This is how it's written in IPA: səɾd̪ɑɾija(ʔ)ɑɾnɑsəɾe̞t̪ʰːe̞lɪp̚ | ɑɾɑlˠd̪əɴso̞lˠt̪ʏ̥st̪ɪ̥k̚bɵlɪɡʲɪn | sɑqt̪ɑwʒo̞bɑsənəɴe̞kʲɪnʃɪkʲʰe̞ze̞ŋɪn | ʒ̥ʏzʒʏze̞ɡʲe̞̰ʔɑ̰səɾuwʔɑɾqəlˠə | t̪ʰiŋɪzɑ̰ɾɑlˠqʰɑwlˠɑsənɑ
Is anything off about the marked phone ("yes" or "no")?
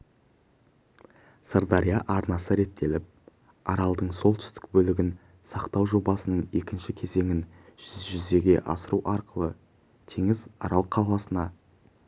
no